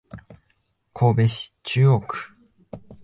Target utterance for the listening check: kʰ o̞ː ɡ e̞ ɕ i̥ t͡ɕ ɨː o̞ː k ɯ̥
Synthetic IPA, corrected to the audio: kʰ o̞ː b e̞ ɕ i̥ t͡ɕ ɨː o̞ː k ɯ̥